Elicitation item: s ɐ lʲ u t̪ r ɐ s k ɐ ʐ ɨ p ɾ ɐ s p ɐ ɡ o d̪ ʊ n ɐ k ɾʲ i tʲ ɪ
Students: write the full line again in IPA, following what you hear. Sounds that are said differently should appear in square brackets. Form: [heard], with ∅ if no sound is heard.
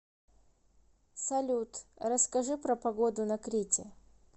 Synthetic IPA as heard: s ɐ lʲ u t̪ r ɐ s k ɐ ʐ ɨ p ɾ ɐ [∅] p ɐ ɡ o d̪ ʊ n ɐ k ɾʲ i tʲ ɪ